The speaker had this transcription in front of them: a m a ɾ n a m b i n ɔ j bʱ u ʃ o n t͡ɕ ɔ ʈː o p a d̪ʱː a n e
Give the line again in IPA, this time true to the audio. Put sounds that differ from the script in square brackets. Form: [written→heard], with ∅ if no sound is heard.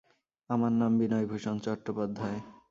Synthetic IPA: a m a ɾ n a m b i n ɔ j bʱ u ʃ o n t͡ɕ ɔ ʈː o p a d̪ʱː a [n→∅] e